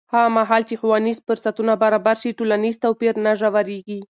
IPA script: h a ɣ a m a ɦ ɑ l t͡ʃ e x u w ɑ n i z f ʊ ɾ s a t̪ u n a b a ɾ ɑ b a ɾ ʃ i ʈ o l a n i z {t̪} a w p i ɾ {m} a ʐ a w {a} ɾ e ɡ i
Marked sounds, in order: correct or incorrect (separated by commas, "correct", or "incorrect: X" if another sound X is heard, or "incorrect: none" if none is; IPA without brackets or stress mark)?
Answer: correct, incorrect: n, correct